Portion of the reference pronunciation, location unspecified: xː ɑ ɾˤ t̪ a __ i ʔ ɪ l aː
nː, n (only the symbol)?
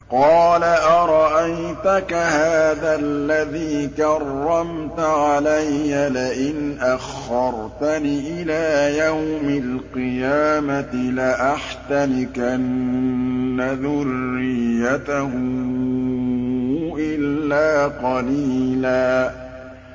n